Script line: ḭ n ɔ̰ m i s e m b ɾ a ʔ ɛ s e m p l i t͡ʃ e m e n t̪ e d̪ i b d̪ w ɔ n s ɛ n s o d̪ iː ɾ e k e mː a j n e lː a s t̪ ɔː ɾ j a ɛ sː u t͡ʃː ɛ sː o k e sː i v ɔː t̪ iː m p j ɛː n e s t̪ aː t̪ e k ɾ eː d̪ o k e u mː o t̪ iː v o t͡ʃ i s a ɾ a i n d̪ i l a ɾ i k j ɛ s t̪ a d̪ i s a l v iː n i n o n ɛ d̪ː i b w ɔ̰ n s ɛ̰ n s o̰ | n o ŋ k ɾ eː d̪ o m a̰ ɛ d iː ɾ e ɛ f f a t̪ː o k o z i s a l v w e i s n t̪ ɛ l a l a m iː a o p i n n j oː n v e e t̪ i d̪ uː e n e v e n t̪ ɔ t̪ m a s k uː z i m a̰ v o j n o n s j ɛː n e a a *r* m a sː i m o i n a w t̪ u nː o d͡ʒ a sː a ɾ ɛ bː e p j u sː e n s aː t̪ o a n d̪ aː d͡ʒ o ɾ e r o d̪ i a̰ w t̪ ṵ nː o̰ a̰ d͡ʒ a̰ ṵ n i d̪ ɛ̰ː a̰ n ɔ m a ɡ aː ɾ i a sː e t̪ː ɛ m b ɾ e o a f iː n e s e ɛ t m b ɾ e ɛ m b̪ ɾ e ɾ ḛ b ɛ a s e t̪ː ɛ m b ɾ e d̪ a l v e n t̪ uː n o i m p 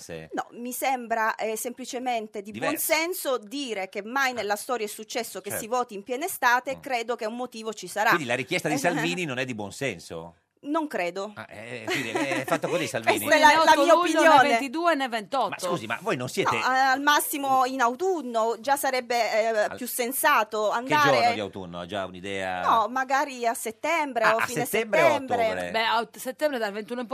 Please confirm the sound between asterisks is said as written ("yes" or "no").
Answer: no